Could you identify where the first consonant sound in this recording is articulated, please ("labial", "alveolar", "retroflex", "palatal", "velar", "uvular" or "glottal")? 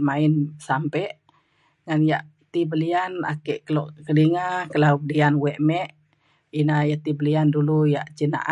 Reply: labial